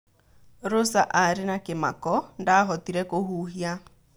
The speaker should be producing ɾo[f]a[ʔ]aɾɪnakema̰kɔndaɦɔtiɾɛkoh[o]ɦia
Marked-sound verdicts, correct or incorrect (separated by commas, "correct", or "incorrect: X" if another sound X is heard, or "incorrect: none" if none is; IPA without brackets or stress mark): incorrect: s, correct, incorrect: u